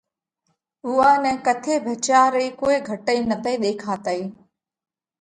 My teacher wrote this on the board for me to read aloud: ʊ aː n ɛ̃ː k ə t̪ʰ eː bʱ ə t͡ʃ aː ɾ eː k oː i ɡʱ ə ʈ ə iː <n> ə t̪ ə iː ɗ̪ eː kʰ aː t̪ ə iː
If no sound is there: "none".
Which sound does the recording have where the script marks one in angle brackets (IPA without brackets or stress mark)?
n